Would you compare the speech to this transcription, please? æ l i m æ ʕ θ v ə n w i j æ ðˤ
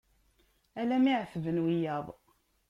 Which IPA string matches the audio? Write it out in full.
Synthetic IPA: æ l æ m i ʕ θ v ə n w i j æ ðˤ